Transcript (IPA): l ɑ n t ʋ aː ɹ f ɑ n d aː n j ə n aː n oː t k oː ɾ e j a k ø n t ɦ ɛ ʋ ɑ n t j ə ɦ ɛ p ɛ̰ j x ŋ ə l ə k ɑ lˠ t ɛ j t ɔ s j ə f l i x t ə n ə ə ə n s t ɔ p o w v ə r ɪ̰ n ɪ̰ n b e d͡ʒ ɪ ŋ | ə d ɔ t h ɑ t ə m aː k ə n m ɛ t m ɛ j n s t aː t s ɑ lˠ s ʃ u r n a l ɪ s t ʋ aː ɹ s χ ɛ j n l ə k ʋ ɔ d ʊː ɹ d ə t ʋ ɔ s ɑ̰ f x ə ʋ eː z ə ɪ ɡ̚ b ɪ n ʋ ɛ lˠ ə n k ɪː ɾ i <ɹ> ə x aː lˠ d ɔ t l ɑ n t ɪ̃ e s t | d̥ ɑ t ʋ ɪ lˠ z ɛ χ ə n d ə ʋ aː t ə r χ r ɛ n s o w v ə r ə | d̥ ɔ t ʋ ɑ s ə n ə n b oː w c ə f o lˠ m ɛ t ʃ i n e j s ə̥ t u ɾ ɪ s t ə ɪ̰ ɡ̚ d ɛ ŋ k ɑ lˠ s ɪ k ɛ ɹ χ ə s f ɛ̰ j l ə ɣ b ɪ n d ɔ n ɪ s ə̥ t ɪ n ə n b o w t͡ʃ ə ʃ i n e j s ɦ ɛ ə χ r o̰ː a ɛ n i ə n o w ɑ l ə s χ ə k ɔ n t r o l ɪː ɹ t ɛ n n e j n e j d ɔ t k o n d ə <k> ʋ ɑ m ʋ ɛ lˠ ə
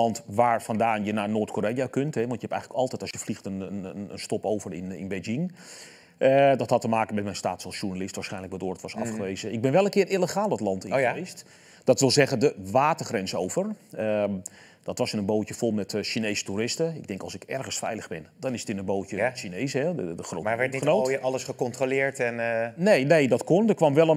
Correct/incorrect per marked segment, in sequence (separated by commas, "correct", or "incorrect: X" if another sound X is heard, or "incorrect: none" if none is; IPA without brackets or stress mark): incorrect: l, correct